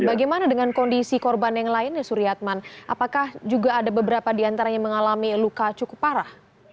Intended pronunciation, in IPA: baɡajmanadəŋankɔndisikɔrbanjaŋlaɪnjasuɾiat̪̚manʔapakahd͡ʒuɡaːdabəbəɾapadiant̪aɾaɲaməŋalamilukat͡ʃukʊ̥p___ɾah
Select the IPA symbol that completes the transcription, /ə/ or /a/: a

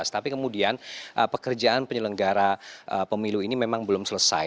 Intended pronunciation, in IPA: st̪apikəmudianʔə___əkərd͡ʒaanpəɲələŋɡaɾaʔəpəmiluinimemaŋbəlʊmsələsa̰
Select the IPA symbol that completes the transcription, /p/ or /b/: p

